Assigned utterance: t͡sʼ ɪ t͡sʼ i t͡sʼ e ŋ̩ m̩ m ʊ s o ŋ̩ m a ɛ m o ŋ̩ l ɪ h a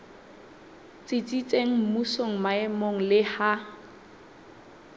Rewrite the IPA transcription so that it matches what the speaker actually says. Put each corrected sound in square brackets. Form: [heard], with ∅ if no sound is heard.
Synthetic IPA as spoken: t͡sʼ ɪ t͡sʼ i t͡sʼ e ŋ̩ m̩ m [u] s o ŋ̩ m a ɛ m o ŋ̩ l ɪ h a